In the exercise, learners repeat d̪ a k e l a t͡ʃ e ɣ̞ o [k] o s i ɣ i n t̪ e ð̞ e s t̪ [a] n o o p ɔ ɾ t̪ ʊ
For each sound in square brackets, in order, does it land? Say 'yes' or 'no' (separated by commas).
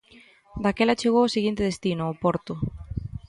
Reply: no, no